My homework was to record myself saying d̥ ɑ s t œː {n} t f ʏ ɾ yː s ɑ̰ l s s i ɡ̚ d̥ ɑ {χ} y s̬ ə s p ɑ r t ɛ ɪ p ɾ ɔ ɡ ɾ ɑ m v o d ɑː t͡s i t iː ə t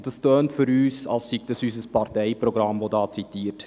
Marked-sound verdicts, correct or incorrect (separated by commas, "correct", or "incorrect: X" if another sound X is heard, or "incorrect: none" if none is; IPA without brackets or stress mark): correct, incorrect: s